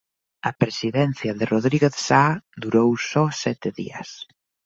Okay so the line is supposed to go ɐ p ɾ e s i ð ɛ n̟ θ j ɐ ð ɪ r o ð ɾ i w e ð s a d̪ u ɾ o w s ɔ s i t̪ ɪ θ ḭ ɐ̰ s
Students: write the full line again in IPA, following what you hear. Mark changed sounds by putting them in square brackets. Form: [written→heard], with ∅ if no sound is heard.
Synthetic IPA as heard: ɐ p ɾ e s i ð ɛ n̟ θ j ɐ ð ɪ r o ð ɾ i [w→ɣ] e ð s a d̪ u ɾ o w s ɔ s [i→ɛ] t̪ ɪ [θ→ð] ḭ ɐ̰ s